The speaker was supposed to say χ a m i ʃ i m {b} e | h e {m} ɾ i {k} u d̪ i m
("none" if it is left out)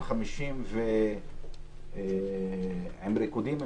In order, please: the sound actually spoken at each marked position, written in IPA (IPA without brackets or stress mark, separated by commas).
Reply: v, m, k